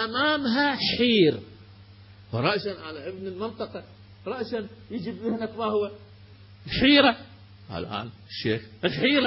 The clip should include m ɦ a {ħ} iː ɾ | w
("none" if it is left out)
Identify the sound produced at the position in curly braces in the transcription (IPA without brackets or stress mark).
ħ